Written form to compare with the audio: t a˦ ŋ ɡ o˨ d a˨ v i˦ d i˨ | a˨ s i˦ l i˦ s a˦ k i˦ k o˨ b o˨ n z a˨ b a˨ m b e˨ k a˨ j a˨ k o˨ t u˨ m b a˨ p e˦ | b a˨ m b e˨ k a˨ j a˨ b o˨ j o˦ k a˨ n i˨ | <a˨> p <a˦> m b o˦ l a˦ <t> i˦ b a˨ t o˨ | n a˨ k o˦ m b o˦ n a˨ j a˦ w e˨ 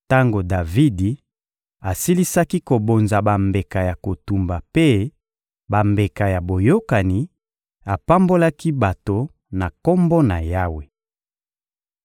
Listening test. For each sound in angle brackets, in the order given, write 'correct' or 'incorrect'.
correct, correct, incorrect: k

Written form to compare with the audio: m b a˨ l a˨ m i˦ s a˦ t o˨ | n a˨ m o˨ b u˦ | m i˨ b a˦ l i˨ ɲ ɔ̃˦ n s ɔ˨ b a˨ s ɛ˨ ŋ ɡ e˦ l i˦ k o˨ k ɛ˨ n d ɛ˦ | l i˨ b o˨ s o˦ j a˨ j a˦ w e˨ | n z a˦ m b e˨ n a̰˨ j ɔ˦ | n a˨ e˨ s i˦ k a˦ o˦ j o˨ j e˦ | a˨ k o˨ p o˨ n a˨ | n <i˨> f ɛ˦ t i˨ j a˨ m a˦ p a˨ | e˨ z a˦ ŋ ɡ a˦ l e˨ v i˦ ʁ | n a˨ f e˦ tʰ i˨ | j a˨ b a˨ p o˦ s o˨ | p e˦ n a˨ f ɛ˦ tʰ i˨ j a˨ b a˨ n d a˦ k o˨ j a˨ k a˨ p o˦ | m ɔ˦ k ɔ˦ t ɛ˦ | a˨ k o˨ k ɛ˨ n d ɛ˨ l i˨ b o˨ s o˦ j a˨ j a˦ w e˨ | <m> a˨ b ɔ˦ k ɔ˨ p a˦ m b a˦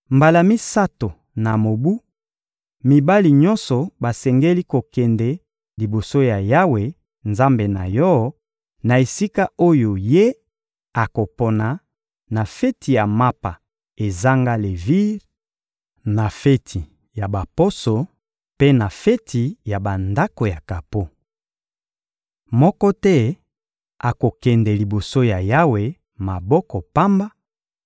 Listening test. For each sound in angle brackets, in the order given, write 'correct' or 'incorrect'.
incorrect: a˨, correct

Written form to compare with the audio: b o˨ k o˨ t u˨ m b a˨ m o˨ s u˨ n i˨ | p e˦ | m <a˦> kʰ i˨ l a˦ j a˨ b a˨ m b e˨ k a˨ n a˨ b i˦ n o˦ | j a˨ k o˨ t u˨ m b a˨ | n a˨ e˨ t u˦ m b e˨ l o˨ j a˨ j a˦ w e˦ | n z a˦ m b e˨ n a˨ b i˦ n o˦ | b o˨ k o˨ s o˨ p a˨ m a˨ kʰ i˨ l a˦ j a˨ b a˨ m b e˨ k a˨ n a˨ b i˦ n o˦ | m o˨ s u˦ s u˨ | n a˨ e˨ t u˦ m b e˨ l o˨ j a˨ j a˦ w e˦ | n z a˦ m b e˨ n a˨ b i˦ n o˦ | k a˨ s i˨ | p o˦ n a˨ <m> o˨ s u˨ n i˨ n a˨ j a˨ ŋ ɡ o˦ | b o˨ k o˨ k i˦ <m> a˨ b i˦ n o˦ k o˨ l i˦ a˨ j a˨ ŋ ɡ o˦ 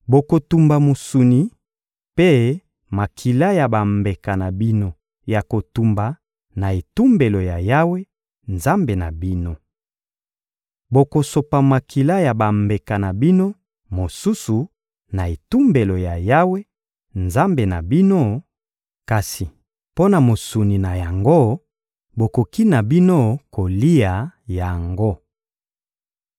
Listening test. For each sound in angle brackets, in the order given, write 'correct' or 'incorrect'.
incorrect: a˨, correct, incorrect: n

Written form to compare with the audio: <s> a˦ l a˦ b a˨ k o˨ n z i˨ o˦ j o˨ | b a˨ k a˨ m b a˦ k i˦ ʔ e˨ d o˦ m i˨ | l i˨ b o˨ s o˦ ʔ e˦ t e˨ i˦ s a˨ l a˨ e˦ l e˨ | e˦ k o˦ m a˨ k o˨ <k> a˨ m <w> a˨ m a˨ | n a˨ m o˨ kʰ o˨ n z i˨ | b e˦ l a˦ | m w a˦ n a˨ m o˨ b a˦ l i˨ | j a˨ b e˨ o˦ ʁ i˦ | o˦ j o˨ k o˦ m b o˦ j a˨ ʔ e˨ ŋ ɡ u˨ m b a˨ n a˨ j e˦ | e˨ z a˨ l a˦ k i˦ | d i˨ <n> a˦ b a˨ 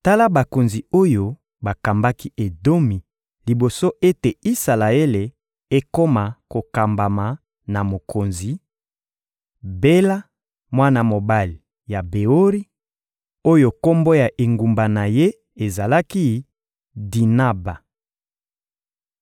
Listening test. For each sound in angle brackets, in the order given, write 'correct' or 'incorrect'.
incorrect: t, correct, incorrect: b, correct

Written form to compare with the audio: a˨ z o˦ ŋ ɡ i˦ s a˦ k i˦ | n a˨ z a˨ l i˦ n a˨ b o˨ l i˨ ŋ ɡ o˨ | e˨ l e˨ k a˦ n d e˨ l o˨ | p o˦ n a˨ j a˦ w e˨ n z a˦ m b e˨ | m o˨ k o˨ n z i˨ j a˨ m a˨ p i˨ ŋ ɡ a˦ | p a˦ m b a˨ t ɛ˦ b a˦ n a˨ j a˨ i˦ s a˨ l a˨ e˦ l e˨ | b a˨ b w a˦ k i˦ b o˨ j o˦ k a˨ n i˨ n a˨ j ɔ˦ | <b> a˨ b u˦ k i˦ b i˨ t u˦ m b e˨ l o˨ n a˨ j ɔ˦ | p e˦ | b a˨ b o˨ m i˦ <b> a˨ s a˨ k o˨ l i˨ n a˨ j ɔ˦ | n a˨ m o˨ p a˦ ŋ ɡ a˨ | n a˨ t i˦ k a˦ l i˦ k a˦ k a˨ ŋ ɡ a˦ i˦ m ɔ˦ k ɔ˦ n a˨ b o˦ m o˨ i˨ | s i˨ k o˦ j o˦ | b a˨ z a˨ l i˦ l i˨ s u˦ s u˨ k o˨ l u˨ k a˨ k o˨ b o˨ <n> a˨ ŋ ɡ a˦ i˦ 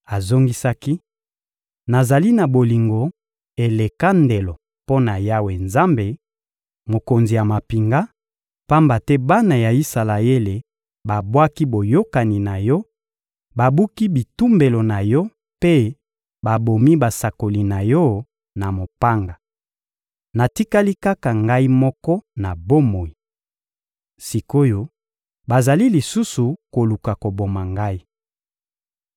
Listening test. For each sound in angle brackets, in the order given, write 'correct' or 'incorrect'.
correct, correct, incorrect: m

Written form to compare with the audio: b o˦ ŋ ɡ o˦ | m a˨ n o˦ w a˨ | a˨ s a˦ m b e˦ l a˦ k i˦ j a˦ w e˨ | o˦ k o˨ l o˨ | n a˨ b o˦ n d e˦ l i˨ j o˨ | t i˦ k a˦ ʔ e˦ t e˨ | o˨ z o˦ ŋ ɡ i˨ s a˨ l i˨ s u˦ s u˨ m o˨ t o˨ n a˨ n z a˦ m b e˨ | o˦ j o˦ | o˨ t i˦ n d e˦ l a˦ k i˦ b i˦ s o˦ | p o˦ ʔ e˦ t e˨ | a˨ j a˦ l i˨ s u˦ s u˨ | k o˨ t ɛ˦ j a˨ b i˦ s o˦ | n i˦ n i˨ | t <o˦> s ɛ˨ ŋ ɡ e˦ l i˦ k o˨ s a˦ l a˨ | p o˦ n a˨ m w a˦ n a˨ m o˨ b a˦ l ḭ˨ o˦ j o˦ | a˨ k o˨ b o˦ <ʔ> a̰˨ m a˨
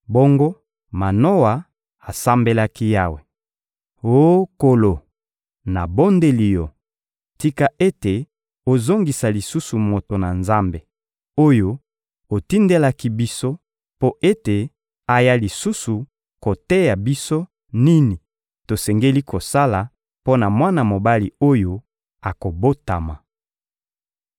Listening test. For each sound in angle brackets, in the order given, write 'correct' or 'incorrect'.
incorrect: o˨, incorrect: t

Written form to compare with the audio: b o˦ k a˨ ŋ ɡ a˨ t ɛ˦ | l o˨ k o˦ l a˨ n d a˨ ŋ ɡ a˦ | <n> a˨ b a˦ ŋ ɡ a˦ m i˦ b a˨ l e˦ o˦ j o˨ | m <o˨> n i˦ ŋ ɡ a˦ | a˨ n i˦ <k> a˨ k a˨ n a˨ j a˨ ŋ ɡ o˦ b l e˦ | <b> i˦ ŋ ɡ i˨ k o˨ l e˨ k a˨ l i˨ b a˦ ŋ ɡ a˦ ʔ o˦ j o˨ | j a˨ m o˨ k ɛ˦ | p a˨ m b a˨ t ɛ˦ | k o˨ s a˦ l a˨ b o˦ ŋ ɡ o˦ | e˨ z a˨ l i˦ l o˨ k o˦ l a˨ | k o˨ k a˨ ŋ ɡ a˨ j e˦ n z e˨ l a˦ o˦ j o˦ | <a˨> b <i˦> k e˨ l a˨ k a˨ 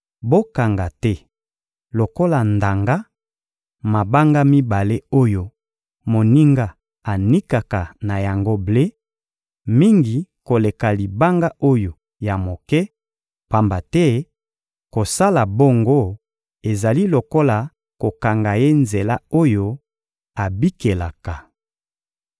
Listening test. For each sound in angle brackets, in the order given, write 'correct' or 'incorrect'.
incorrect: m, correct, correct, incorrect: m, correct, correct

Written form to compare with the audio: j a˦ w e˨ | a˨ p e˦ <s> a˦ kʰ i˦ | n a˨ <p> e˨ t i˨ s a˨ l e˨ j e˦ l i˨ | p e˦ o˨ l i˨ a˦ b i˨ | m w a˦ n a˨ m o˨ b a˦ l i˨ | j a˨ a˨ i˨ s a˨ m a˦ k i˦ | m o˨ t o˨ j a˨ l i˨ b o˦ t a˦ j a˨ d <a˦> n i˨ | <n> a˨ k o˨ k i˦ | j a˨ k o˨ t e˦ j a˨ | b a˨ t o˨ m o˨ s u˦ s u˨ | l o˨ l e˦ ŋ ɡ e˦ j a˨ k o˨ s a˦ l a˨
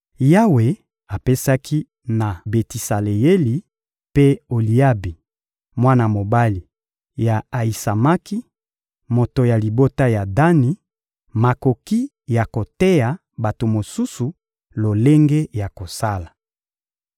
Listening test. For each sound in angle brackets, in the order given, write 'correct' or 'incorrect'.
correct, incorrect: b, correct, incorrect: m

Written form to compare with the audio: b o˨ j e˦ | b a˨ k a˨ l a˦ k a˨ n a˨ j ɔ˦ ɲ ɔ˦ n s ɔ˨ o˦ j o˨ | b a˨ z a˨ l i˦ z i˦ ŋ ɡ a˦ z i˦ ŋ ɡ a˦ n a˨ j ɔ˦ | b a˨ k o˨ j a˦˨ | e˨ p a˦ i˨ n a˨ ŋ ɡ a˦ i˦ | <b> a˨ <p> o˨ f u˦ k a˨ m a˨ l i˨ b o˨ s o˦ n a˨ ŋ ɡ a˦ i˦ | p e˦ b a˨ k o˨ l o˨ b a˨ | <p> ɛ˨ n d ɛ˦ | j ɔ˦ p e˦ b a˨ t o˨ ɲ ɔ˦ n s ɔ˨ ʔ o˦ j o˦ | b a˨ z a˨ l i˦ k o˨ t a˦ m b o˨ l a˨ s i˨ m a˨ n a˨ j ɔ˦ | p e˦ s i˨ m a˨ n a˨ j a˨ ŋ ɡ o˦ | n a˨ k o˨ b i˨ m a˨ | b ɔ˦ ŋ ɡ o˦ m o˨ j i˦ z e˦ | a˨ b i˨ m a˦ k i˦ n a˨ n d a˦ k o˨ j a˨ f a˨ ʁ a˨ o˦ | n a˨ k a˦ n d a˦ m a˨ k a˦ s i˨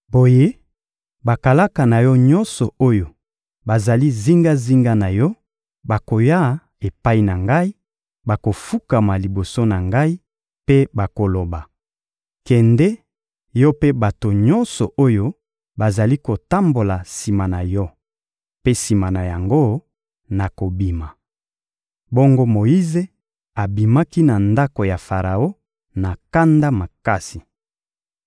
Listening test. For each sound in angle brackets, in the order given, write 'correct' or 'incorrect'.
correct, incorrect: k, incorrect: k

